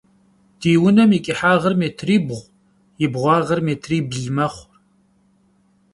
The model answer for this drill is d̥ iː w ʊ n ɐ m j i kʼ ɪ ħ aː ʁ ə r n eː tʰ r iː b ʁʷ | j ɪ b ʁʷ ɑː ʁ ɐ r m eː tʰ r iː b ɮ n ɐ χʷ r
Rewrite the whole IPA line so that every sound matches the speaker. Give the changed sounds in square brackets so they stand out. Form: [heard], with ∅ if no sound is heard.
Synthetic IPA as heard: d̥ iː w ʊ n ɐ m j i kʼ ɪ ħ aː ʁ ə r [m] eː tʰ r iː b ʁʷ | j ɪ b ʁʷ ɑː ʁ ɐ r m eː tʰ r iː b ɮ [m] ɐ χʷ r